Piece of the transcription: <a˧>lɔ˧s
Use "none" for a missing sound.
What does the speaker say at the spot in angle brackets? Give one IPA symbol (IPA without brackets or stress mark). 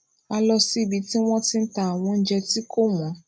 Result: a˧